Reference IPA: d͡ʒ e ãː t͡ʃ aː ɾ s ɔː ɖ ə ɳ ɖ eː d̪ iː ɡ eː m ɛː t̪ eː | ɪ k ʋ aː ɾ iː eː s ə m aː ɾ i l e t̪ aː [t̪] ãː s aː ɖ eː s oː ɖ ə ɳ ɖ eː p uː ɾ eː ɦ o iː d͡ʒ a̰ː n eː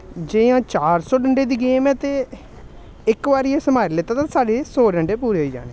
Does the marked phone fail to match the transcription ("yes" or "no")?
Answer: no